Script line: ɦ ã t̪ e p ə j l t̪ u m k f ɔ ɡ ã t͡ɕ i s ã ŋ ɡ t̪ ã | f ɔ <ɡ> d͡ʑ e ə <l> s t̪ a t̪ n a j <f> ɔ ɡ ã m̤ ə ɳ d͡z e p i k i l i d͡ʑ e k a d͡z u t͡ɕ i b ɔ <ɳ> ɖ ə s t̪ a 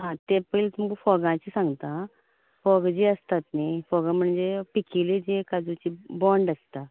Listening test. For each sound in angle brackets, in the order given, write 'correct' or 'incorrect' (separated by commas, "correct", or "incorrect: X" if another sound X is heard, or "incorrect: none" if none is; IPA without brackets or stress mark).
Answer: correct, incorrect: none, correct, correct